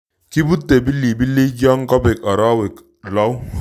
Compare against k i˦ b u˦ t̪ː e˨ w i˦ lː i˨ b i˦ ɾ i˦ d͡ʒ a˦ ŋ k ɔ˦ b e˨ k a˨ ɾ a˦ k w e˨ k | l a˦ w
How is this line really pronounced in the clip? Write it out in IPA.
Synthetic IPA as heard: k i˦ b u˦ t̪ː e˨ b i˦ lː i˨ b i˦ l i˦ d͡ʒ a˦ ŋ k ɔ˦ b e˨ k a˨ ɾ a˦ w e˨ k | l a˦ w